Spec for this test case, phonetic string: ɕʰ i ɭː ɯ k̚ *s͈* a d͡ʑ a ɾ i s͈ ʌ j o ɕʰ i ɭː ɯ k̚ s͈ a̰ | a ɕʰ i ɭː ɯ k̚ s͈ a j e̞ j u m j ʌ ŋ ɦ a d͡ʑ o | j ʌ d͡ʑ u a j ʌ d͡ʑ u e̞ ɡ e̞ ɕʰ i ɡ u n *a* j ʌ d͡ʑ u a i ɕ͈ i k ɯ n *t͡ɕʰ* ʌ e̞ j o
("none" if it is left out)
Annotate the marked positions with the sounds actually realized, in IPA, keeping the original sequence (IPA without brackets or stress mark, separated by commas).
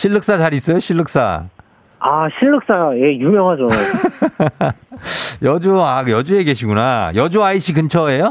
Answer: s͈, a, t͡ɕʰ